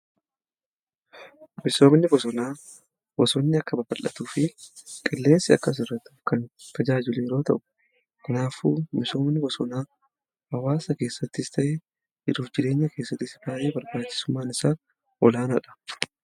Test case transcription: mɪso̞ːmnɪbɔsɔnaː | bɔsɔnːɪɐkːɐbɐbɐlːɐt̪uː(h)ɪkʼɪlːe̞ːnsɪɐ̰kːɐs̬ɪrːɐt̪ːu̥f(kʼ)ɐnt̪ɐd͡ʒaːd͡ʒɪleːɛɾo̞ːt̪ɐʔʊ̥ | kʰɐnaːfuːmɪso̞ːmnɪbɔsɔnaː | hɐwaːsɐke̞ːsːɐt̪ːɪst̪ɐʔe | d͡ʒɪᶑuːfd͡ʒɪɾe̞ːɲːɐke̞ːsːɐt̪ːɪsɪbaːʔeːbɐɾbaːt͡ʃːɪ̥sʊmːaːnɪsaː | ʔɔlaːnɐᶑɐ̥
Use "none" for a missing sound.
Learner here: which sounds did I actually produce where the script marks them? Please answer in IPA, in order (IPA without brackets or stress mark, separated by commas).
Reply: f, k